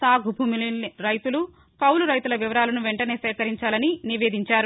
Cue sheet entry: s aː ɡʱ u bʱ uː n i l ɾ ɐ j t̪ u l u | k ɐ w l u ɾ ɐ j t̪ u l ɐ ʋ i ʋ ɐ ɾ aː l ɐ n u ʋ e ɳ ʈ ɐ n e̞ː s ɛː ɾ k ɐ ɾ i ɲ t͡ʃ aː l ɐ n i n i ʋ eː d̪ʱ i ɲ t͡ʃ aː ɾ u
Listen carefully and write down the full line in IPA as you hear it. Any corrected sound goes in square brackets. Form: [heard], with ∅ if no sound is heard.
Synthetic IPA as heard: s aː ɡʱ u bʱ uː [m] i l ɾ ɐ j t̪ u l u | k ɐ w l u ɾ ɐ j t̪ u l ɐ ʋ i ʋ ɐ ɾ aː l ɐ n u ʋ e ɳ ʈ ɐ n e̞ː s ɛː [∅] k ɐ ɾ i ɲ t͡ʃ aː l ɐ n i n i ʋ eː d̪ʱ i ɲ t͡ʃ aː ɾ u